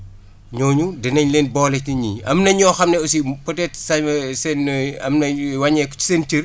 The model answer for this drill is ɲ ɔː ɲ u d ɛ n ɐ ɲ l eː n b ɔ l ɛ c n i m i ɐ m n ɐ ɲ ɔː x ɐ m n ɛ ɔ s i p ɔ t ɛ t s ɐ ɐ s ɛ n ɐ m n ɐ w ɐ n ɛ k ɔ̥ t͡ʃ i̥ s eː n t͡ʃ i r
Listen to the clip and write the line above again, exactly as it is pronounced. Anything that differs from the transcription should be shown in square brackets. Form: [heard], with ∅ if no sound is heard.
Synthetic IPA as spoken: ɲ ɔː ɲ u d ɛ n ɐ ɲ l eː n b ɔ l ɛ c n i [ɲ] i ɐ m n ɐ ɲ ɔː x ɐ m n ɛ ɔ s i p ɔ t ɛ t s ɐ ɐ s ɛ n ɐ m n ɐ w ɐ [ɲ] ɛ k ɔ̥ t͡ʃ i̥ s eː n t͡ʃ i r